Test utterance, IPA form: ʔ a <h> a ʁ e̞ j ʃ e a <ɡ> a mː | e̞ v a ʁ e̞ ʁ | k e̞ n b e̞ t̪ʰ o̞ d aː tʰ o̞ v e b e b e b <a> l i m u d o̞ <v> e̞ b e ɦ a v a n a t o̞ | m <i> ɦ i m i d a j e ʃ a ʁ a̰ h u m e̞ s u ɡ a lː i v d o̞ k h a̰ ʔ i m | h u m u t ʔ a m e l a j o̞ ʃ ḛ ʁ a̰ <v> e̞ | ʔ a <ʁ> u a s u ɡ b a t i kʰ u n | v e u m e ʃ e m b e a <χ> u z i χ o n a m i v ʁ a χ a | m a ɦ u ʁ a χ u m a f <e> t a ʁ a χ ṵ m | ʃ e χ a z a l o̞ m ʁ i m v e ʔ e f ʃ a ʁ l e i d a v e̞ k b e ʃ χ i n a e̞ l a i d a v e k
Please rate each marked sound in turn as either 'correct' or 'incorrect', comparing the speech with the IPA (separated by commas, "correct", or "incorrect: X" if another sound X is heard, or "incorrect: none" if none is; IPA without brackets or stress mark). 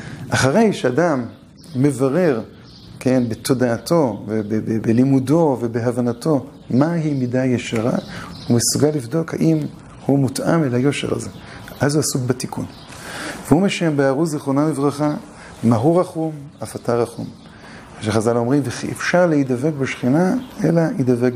incorrect: χ, incorrect: d, incorrect: e, correct, incorrect: a, incorrect: z, incorrect: z, incorrect: ʁ, incorrect: a